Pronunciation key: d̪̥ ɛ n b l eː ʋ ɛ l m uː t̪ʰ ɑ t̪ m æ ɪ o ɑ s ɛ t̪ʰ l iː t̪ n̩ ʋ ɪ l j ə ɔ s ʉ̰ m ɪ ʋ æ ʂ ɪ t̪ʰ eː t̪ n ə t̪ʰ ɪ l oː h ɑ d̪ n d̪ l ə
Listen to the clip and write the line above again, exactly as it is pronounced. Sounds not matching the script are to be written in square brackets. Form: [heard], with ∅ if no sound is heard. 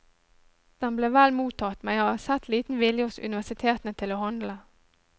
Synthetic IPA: d̪̥ ɛ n b l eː ʋ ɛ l m uː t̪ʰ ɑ t̪ m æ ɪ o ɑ s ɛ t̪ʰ l iː t̪ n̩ ʋ ɪ l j ə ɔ s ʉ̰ [n] ɪ ʋ æ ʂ ɪ t̪ʰ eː t̪ n ə t̪ʰ ɪ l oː h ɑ [∅] n d̪ l ə